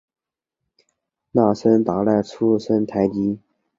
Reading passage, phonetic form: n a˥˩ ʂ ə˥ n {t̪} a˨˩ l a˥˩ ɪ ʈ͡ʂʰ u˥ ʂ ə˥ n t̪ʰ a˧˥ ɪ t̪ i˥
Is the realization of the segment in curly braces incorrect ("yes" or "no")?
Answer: no